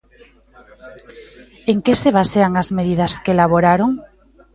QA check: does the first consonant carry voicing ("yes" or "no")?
yes